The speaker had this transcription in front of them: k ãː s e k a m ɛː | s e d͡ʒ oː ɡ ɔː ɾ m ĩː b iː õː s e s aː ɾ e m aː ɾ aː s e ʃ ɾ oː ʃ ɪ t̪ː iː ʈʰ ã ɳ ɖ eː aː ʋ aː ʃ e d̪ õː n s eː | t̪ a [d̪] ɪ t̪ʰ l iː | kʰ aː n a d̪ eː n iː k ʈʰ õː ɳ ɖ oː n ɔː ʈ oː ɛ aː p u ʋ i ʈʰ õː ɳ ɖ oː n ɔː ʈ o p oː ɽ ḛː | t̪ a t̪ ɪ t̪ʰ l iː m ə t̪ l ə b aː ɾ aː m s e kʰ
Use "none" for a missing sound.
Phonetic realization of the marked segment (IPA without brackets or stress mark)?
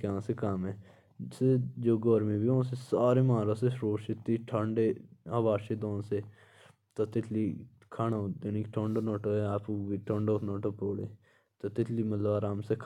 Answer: t̪